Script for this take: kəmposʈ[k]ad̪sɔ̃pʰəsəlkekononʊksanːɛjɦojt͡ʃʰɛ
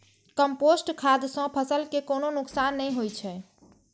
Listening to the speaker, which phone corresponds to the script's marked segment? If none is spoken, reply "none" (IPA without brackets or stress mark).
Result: kʰ